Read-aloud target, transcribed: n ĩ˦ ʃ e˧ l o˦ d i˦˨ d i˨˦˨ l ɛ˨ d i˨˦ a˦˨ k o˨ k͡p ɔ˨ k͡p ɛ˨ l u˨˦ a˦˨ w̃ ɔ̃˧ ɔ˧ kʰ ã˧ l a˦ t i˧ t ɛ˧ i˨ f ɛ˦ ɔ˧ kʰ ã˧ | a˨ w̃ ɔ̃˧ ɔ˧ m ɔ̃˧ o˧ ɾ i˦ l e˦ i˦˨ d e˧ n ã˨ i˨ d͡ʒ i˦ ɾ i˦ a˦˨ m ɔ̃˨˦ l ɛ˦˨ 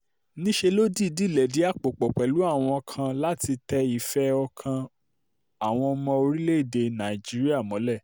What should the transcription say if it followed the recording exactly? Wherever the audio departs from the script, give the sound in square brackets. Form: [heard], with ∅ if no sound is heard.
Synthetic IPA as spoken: n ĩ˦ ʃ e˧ l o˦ d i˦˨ d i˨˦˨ l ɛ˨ d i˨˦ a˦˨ [k͡p] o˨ k͡p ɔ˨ k͡p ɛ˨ l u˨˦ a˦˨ w̃ ɔ̃˧ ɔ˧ kʰ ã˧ l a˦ t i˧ t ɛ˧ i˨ f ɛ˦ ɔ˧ kʰ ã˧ | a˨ w̃ ɔ̃˧ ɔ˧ m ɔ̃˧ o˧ ɾ i˦ l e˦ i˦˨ d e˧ n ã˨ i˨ d͡ʒ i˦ ɾ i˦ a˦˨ m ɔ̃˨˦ l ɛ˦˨